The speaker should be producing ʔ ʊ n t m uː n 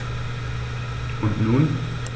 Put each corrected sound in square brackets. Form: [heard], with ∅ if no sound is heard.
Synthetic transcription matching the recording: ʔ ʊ n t [n] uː n